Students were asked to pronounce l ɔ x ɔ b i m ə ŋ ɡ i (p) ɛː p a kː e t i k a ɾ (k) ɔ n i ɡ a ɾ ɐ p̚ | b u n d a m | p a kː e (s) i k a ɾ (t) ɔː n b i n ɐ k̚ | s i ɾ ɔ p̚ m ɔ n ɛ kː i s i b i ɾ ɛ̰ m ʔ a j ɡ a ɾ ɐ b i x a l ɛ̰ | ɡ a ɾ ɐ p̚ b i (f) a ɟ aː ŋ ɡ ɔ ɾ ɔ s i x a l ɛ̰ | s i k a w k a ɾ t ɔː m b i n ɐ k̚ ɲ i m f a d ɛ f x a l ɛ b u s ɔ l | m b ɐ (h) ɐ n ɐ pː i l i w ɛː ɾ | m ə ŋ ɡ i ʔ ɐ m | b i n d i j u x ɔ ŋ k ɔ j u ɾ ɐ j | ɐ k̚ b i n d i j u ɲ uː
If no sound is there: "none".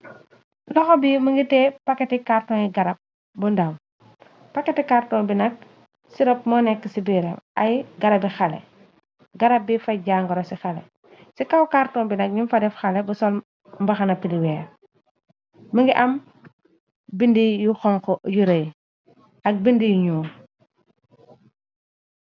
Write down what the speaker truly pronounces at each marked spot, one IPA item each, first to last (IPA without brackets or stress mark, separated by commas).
t, t, t, t, f, x